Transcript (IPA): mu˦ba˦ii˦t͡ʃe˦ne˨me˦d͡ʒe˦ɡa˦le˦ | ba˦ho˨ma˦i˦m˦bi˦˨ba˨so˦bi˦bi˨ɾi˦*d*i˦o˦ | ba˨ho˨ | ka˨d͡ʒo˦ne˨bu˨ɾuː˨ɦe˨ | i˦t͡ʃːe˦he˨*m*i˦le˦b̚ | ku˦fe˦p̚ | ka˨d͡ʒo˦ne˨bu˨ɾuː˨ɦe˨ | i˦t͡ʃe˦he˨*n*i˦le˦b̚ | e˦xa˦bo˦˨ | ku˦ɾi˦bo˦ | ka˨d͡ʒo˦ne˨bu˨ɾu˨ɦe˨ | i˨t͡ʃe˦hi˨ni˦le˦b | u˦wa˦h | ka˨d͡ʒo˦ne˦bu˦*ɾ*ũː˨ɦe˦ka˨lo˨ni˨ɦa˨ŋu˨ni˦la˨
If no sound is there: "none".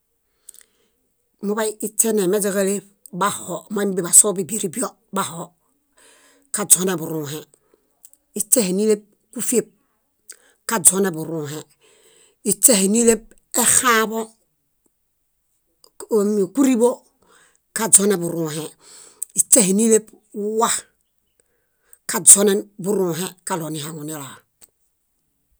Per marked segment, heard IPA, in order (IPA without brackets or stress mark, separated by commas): b, n, n, ɾ